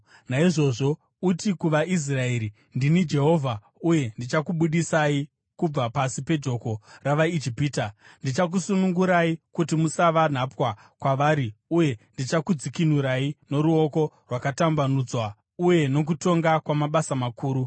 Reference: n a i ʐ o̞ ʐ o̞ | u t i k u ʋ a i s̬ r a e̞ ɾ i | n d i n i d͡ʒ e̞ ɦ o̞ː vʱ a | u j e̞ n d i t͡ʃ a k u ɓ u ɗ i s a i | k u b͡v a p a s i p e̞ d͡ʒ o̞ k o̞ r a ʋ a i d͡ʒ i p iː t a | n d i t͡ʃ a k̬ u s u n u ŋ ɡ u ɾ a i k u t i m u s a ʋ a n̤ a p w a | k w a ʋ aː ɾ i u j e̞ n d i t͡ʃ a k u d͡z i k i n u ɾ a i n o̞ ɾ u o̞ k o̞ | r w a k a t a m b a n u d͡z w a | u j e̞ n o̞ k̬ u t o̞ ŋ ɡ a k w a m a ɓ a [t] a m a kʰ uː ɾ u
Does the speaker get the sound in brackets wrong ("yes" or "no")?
yes